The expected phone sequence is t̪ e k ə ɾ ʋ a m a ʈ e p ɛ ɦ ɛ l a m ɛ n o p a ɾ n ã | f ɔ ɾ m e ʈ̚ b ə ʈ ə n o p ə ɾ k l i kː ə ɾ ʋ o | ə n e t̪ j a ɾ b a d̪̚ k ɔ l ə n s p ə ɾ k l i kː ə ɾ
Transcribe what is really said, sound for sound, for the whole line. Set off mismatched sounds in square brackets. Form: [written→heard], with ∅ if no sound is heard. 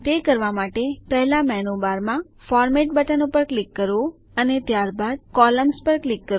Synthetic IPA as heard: t̪ e k ə ɾ ʋ a m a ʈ e p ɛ ɦ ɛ l a m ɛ n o [p→b] a ɾ [n→m] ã | f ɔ ɾ m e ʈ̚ b ə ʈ ə n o p ə ɾ k l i kː ə ɾ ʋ o | ə n e t̪ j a ɾ b a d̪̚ k ɔ l ə [n→m] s p ə ɾ k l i kː ə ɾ